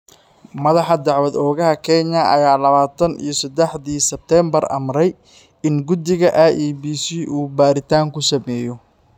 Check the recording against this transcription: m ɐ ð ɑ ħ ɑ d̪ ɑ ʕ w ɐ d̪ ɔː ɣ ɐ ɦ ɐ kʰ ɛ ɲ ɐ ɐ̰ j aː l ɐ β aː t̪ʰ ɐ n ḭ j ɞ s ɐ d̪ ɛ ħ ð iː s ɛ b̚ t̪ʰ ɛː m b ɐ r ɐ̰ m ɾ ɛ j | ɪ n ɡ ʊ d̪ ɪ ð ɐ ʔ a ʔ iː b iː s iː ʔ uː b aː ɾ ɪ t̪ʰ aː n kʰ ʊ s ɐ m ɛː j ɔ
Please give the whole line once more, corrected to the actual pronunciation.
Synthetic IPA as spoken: m ɐ ð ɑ ħ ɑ d̪ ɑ ʕ w ɐ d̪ ɔː ɣ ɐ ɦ ɐ kʰ ɛ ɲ ɐ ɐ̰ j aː l ɐ β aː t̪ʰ ɐ n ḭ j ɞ s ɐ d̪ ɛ ħ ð iː s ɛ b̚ t̪ʰ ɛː m b ɐ r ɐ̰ m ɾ ɛ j | ɪ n ɡ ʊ d̪ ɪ ɣ ɐ ʔ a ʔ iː b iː s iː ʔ uː b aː ɾ ɪ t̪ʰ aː ŋ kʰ ʊ s ɐ m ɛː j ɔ